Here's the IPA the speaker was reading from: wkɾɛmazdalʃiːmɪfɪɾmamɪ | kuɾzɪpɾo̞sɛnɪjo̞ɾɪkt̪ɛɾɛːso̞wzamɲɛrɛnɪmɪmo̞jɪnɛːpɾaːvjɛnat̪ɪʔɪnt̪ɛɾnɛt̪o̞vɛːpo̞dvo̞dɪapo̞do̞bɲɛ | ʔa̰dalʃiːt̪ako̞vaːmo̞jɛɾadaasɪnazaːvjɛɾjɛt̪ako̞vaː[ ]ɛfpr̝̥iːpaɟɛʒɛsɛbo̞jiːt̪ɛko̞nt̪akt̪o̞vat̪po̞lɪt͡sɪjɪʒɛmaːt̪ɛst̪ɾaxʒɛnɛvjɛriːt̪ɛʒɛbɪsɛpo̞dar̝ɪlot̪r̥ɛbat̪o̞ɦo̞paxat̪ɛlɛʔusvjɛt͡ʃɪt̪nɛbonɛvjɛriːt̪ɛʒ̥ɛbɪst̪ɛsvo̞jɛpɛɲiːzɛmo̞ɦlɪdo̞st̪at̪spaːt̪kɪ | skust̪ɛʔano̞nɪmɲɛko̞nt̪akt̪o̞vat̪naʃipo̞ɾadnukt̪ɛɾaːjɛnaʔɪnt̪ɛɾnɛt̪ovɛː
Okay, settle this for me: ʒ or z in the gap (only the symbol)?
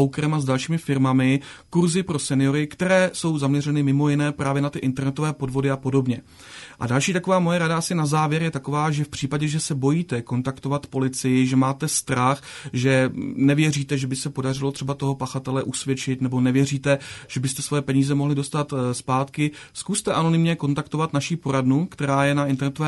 ʒ